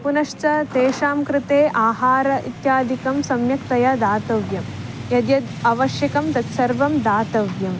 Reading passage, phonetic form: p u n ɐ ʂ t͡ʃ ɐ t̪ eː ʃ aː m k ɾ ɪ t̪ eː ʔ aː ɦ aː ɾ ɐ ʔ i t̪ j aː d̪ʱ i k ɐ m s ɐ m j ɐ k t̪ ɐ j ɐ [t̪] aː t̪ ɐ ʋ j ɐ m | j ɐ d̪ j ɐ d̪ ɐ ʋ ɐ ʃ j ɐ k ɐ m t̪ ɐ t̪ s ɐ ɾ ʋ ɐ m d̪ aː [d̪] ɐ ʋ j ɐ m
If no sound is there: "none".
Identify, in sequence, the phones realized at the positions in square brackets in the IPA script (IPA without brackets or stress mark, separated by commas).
d̪, t̪